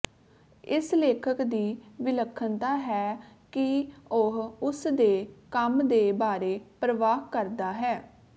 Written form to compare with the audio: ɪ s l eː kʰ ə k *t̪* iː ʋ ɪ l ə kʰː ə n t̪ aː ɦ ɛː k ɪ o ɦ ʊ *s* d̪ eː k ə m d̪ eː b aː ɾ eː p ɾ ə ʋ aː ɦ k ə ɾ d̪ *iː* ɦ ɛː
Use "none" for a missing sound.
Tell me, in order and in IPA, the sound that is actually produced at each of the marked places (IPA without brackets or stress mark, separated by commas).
d̪, s, aː